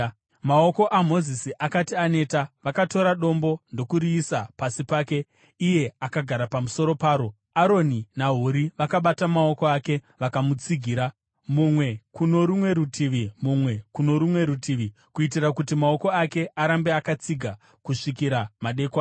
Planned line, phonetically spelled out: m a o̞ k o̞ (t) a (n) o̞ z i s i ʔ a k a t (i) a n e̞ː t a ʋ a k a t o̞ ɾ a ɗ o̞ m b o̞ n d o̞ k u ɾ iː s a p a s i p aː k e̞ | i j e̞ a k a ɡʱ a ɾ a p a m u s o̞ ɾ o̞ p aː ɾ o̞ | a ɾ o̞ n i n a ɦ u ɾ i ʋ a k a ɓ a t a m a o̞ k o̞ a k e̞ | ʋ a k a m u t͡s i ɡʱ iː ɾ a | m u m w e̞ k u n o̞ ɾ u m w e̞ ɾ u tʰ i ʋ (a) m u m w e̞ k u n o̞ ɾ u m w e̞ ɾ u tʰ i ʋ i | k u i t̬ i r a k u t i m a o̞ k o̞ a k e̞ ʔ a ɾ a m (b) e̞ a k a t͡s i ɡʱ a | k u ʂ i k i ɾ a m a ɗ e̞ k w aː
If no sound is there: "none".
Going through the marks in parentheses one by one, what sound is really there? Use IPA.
ʔ, m, i, i, b

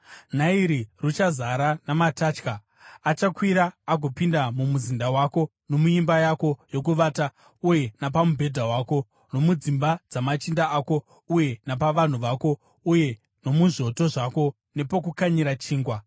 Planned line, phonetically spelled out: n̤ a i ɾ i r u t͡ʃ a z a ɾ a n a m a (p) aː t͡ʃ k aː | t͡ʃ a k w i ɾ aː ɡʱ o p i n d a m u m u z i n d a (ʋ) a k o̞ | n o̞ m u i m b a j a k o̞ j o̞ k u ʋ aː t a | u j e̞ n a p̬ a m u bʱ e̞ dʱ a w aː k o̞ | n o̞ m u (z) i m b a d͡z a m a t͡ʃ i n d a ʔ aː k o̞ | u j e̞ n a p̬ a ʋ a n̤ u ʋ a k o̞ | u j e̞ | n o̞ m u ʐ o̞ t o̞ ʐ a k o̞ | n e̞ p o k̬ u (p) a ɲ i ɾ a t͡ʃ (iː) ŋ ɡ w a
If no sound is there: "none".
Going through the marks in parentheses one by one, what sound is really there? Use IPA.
t, w, d͡z, k, iː

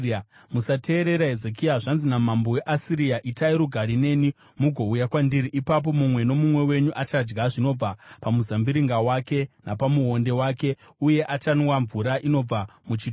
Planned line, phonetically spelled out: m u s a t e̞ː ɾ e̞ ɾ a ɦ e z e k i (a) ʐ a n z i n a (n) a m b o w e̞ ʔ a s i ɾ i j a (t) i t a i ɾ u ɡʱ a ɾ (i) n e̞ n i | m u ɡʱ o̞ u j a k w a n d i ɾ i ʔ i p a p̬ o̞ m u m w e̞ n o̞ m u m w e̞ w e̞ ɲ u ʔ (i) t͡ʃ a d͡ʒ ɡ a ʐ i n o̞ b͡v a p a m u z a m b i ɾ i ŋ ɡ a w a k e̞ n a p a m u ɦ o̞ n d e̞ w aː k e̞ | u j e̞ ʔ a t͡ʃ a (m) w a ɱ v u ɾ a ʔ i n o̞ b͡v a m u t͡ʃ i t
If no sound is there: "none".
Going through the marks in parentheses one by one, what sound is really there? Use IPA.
a, m, ʔ, i, a, n

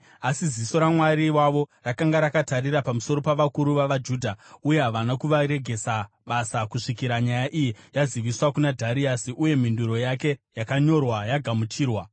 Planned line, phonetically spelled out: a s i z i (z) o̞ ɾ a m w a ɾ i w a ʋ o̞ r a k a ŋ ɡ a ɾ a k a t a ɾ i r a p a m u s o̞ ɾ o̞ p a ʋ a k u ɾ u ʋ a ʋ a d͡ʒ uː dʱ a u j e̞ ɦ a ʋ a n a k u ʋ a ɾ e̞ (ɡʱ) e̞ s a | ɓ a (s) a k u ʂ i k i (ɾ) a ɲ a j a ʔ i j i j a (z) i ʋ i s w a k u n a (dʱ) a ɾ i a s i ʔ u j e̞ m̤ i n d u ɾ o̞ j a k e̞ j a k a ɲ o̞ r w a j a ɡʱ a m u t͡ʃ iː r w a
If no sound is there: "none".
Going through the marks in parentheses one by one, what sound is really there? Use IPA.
s, ɡʱ, s, ɾ, z, dʱ

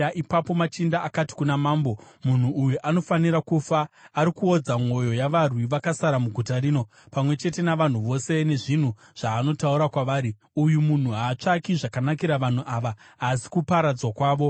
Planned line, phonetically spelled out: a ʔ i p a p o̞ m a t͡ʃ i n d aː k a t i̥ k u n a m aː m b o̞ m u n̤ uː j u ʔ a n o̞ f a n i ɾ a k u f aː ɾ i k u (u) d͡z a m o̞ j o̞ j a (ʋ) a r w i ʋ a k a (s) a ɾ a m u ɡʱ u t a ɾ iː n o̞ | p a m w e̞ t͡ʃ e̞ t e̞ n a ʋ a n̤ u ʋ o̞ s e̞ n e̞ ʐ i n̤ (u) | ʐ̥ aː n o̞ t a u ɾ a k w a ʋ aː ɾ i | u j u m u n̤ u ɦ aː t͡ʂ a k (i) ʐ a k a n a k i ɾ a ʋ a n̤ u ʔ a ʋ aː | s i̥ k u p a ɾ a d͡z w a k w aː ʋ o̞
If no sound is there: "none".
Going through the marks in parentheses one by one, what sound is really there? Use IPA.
o, ʋ, s, u, i

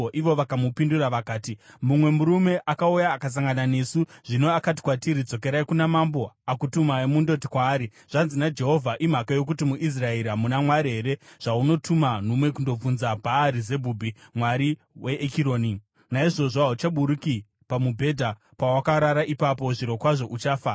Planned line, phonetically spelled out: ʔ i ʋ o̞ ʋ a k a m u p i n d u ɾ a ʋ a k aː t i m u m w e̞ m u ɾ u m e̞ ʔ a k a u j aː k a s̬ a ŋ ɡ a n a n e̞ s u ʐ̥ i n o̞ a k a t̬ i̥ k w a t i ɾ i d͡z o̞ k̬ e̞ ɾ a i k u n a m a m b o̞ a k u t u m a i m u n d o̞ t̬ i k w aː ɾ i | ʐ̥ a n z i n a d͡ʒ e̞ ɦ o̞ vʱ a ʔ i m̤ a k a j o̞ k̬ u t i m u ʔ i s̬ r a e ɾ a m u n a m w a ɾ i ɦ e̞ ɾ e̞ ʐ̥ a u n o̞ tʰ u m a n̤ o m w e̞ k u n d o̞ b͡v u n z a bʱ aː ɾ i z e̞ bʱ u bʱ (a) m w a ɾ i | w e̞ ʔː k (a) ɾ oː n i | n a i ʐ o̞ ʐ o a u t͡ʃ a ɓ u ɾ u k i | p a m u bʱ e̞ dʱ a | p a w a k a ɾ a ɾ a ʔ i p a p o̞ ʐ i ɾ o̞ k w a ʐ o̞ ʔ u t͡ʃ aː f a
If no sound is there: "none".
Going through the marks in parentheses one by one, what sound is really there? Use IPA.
i, i

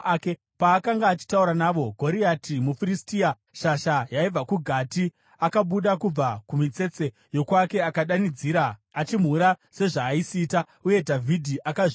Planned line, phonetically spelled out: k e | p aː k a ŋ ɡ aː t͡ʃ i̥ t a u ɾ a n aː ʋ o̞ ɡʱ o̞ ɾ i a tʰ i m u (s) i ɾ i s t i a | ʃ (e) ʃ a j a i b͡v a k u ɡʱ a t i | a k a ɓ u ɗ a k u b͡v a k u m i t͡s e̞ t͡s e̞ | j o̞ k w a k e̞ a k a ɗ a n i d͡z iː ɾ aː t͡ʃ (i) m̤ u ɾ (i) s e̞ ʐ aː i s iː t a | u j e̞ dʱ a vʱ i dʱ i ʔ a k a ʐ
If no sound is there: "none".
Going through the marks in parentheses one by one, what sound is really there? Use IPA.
f, a, i, a

